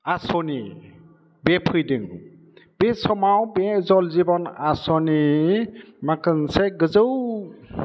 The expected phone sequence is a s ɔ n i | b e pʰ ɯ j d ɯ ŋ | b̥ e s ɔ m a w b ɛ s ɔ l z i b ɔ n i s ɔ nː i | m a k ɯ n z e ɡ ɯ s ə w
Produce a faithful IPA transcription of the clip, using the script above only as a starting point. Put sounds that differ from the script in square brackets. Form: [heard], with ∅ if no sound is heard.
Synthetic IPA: a s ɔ n i | b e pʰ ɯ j d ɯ ŋ | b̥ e s ɔ m a w b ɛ [z] ɔ l z i b ɔ n [a] s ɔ [n] i | m a k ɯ n [s] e ɡ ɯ [z] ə w